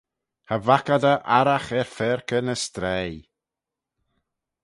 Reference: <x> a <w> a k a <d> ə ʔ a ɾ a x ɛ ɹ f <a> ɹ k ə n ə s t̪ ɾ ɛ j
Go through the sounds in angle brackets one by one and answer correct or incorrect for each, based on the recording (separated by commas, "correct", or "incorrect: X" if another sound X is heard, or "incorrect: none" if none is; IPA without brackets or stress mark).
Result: incorrect: h, incorrect: v, correct, incorrect: ɛ